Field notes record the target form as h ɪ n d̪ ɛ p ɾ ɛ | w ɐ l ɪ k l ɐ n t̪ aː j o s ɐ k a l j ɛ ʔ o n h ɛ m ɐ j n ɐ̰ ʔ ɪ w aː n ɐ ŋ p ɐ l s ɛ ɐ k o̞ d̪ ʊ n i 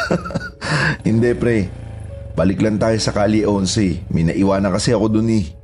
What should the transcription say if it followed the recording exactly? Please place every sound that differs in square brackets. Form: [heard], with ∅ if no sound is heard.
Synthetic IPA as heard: h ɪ n d̪ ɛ p ɾ ɛ | [b] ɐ l ɪ k l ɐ n t̪ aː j o s ɐ k a l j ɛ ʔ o n [s] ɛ m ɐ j n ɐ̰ ʔ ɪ w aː n ɐ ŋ [k] ɐ [∅] s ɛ ɐ k o̞ d̪ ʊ n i